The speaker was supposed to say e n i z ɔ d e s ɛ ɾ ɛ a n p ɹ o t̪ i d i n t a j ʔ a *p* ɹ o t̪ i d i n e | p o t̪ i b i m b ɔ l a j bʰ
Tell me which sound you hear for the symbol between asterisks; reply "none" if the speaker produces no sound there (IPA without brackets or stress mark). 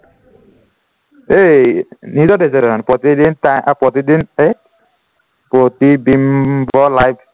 p